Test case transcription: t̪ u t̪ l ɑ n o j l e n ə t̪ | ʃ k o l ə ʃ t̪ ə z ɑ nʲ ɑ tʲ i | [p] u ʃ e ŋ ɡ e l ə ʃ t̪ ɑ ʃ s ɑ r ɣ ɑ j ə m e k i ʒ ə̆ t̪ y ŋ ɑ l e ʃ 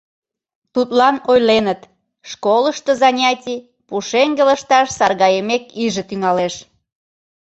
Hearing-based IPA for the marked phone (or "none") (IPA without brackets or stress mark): p